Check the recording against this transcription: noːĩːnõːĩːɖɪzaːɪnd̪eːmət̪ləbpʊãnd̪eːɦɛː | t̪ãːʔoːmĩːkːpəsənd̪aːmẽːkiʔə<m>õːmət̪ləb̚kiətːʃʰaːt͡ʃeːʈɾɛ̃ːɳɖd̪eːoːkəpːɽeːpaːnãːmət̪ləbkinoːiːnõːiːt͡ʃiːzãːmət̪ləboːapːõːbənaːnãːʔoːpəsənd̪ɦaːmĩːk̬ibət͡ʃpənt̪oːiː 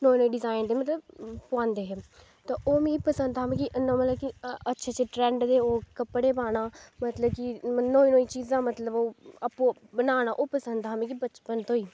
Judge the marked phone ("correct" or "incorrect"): incorrect